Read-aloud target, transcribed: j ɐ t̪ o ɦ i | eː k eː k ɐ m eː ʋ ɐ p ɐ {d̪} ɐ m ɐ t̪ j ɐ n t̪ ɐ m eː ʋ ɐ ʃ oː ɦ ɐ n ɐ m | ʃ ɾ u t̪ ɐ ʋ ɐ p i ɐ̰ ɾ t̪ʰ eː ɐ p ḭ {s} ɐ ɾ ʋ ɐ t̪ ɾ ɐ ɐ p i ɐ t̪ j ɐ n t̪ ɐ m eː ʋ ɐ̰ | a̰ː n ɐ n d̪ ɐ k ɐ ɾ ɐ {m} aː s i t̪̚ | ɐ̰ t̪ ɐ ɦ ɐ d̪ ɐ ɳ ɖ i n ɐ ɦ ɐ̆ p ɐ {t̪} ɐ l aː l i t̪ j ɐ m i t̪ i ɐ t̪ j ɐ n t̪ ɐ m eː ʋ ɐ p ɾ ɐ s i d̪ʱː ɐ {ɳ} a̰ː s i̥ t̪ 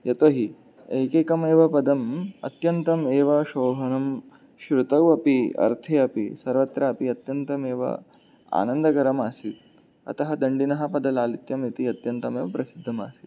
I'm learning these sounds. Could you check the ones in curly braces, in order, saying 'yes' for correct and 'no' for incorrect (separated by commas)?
yes, yes, yes, no, no